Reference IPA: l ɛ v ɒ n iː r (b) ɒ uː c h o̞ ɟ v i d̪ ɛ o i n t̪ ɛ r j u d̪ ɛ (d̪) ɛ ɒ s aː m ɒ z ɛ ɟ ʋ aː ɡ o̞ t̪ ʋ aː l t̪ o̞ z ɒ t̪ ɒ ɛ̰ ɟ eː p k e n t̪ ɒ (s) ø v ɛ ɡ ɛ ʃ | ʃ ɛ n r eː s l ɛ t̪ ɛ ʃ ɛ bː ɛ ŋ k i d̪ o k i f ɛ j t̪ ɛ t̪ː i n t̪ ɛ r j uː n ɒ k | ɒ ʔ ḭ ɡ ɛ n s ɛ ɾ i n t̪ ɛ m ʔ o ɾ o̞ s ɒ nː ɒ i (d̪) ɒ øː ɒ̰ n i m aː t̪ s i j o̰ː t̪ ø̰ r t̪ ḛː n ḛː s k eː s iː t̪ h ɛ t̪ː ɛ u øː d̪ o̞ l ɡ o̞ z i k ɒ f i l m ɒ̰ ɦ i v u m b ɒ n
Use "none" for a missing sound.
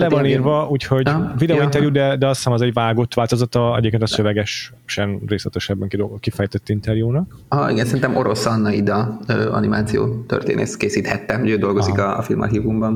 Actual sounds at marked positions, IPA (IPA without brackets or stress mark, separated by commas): v, d̪, s, d̪